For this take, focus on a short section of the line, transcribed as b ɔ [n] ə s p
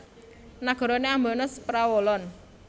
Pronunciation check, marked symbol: correct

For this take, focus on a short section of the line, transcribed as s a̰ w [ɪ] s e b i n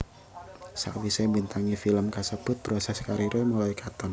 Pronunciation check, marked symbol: incorrect: i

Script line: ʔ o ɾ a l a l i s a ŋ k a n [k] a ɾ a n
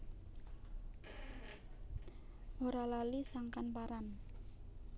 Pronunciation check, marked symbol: incorrect: p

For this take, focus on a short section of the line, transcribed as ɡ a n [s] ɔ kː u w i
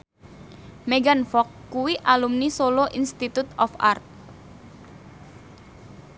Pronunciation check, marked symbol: incorrect: f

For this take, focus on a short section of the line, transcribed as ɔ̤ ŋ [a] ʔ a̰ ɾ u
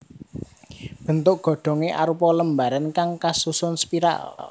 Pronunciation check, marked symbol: incorrect: e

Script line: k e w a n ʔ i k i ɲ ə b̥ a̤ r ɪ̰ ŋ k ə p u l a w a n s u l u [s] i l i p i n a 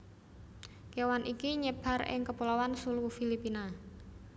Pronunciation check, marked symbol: incorrect: f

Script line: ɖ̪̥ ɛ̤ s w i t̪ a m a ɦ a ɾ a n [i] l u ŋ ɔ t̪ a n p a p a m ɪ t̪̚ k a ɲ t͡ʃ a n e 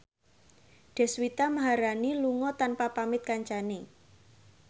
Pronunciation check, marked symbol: correct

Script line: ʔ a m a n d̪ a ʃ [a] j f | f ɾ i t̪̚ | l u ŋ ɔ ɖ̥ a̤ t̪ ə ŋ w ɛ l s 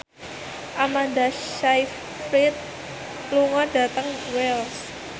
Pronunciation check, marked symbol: correct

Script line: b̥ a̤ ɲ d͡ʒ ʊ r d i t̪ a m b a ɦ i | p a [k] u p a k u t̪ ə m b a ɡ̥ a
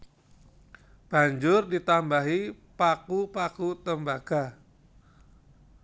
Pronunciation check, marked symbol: correct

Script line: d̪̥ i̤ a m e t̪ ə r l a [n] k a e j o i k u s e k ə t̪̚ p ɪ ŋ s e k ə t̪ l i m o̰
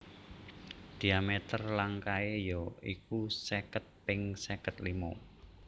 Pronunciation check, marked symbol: incorrect: ŋ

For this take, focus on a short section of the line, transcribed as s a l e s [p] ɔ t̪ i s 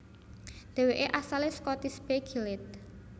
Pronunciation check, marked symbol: incorrect: k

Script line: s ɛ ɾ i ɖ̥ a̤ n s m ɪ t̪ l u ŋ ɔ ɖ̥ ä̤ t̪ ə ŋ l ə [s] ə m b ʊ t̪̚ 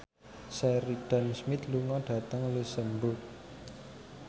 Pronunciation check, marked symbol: correct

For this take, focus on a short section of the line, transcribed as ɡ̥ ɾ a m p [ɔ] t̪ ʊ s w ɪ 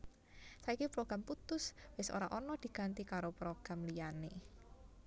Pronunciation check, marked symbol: incorrect: u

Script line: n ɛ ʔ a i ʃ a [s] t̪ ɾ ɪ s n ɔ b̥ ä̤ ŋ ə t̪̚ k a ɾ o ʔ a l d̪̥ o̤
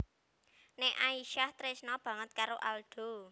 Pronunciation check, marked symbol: incorrect: h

